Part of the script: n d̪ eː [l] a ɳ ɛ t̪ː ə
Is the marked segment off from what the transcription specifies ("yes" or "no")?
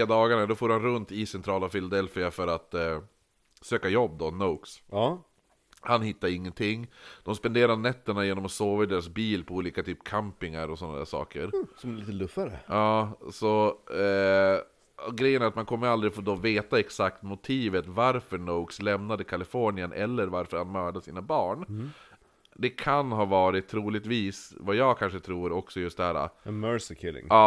yes